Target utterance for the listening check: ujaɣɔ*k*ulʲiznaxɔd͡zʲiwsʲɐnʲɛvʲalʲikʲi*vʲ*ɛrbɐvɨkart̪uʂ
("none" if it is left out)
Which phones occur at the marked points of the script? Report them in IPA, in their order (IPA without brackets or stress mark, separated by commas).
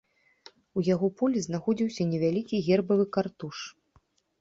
p, ɣʲ